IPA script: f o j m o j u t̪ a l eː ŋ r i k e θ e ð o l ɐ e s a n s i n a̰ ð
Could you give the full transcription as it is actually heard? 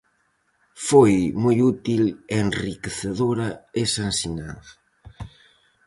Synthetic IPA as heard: f o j m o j u t̪ i l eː n r i k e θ e ð o ɾ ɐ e s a n s i n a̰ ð